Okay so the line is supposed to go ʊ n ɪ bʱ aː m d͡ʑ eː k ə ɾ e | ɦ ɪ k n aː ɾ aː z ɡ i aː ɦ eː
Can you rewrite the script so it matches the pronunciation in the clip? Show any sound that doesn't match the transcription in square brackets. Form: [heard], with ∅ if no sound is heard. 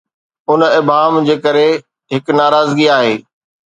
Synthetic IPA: ʊ n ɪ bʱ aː m d͡ʑ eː k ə ɾ e | ɦ ɪ k n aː ɾ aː z ɡ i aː ɦ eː

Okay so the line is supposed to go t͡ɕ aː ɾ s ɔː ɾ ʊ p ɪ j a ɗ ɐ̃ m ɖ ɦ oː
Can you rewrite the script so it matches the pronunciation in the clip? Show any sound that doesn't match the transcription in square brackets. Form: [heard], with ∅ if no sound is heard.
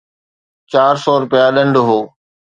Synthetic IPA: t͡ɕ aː ɾ s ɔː ɾ ʊ p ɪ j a ɗ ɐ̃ [ɳ] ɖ ɦ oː

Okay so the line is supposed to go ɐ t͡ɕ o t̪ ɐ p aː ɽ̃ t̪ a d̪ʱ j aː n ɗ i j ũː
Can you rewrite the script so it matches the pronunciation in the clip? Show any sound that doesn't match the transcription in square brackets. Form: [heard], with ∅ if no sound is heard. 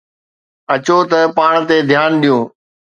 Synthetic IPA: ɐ t͡ɕ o t̪ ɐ p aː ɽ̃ t̪ [e] d̪ʱ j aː n ɗ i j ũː

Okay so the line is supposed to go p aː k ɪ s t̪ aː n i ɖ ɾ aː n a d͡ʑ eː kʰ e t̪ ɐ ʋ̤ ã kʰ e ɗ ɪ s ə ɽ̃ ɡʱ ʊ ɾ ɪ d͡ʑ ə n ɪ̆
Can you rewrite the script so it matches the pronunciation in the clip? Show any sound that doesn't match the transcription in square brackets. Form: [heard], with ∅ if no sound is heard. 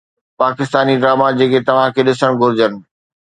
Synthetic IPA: p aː k ɪ s t̪ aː n i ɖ ɾ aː [m] a d͡ʑ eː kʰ e t̪ ɐ ʋ̤ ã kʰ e ɗ ɪ s ə ɽ̃ ɡʱ ʊ ɾ ɪ d͡ʑ ə n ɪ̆

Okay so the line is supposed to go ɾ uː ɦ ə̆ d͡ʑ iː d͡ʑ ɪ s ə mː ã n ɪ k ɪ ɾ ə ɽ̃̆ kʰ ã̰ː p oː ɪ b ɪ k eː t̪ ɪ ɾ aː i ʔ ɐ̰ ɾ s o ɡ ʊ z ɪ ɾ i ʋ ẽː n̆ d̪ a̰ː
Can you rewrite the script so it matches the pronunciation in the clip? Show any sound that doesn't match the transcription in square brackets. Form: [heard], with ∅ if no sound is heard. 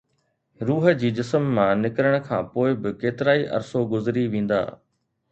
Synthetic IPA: ɾ uː ɦ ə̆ d͡ʑ iː d͡ʑ ɪ s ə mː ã n ɪ k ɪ ɾ ə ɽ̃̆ kʰ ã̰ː p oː ɪ b ɪ k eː t̪ ɪ ɾ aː i ʔ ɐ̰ ɾ s o ɡ ʊ z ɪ ɾ i ʋ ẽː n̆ d̪ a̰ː

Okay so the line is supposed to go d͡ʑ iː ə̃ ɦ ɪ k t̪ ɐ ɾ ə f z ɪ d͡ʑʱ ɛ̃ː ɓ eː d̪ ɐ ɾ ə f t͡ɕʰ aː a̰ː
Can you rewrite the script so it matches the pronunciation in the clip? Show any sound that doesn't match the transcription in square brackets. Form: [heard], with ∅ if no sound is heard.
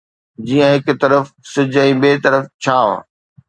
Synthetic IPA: d͡ʑ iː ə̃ ɦ ɪ k t̪ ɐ ɾ ə f [s] ɪ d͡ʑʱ ɛ̃ː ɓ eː [t̪] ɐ ɾ ə f t͡ɕʰ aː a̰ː

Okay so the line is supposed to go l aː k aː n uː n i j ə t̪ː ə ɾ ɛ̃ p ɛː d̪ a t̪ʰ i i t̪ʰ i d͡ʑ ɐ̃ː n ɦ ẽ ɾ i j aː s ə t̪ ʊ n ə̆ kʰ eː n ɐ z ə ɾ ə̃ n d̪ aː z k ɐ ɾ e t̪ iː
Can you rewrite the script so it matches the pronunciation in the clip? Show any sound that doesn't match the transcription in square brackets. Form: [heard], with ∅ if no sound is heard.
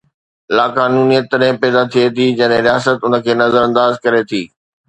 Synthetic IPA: l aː k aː n uː n i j ə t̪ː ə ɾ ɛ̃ p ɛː d̪ a t̪ʰ i [e] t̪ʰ i d͡ʑ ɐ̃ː n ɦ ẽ ɾ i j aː s ə t̪ ʊ n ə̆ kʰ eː n ɐ z ə ɾ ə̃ n d̪ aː z k ɐ ɾ e [t̪ʰ] iː

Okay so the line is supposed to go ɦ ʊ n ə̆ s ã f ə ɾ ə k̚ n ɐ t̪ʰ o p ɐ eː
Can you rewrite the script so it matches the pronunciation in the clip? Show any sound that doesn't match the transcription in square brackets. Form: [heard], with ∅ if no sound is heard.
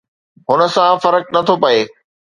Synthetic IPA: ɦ ʊ n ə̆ s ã f [ɐ] ɾ ə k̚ n ɐ t̪ʰ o p ɐ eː

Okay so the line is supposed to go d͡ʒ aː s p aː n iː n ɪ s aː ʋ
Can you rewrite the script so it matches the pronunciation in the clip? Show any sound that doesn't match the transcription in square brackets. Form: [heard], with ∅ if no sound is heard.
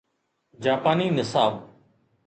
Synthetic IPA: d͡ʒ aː [∅] p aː n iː n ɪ s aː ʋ

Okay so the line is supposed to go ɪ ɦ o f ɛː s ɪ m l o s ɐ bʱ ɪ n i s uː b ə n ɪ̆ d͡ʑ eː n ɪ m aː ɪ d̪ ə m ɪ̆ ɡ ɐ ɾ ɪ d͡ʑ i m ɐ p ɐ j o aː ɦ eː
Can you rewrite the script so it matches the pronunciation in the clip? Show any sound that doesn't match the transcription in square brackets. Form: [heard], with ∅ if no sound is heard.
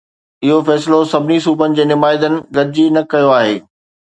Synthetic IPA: ɪ ɦ o f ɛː s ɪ [∅] l o s ɐ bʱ ɪ n i s uː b ə n ɪ̆ d͡ʑ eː n ɪ m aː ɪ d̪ ə [n] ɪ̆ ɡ ɐ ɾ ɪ d͡ʑ i [n] ɐ [k] ɐ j o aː ɦ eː

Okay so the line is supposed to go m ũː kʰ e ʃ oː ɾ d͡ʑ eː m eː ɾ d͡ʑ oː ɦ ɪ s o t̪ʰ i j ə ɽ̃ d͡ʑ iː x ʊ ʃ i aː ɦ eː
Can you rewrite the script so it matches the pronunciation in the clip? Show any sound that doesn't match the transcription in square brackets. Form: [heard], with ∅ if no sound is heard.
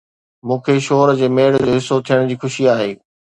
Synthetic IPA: m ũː kʰ e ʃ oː ɾ d͡ʑ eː m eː [ɽ] d͡ʑ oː ɦ ɪ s o t̪ʰ i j ə ɽ̃ d͡ʑ iː x ʊ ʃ i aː ɦ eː

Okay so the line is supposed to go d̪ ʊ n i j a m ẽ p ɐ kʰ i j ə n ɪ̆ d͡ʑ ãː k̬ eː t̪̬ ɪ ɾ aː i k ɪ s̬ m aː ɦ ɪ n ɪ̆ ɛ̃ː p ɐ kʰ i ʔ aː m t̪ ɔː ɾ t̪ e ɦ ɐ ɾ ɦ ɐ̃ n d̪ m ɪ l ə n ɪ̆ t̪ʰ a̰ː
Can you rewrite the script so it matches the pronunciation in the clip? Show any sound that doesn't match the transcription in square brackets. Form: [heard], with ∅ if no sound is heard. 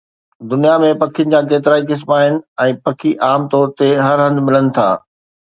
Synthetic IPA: d̪ ʊ n i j a m ẽ p ɐ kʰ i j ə n ɪ̆ d͡ʑ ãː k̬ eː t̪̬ ɪ ɾ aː i k ɪ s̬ m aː ɦ ɪ n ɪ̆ ɛ̃ː p ɐ kʰ i ʔ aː m t̪ ɔː ɾ t̪ e ɦ ɐ ɾ ɦ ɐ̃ n d̪ m ɪ l ə n ɪ̆ t̪ʰ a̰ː

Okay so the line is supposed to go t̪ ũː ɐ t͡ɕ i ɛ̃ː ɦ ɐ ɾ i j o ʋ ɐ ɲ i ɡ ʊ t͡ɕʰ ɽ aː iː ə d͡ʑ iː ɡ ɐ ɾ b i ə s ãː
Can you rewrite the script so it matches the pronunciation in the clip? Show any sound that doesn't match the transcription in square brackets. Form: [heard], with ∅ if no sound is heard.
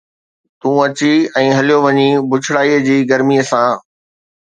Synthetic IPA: t̪ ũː ɐ t͡ɕ i ɛ̃ː ɦ ɐ [l] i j o ʋ ɐ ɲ i [b] ʊ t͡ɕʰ ɽ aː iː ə d͡ʑ iː ɡ ɐ ɾ [m] i ə s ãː

